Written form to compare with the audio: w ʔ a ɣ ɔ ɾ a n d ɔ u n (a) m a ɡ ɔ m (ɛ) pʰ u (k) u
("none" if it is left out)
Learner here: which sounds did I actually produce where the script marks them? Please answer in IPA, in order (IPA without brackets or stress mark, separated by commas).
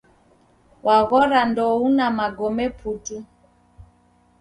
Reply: a, ɛ, t